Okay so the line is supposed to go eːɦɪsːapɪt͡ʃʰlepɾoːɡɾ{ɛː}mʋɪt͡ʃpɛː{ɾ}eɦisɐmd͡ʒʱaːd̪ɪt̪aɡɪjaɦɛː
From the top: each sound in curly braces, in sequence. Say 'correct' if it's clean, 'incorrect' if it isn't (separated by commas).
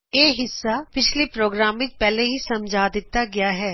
incorrect, incorrect